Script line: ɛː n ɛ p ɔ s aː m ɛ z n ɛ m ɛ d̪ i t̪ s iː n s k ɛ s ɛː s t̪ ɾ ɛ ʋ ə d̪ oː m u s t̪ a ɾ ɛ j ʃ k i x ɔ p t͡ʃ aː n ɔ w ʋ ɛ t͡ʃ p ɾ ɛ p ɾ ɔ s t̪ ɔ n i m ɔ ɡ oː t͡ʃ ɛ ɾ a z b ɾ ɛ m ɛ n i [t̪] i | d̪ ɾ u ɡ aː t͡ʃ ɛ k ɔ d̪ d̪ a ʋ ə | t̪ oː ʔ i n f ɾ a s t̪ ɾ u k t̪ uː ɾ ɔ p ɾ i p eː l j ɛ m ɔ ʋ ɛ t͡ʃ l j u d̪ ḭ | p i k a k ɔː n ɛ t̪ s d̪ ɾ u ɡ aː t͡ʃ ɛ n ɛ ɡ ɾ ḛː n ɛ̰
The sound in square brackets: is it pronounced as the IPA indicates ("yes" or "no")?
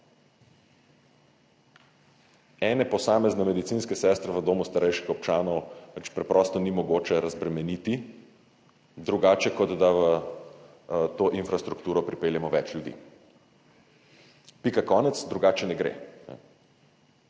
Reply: yes